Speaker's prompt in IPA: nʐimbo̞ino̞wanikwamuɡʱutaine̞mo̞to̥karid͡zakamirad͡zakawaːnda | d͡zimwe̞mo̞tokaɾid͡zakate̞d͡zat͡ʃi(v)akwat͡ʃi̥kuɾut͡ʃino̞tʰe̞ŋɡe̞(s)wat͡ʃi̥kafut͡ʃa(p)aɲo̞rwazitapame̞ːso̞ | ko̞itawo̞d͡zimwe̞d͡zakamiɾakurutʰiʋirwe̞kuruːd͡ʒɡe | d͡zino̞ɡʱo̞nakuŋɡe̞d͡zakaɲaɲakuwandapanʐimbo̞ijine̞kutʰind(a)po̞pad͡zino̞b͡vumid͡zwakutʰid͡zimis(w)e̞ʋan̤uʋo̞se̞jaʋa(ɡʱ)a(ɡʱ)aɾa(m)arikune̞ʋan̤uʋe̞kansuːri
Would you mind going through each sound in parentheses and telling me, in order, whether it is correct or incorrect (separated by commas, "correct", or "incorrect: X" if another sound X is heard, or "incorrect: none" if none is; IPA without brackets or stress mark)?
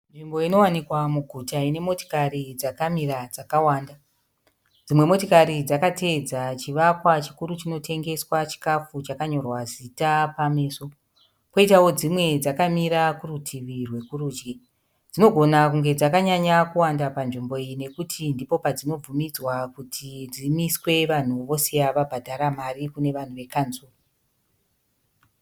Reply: incorrect: ʋ, correct, incorrect: k, incorrect: i, correct, incorrect: bʱ, incorrect: dʱ, correct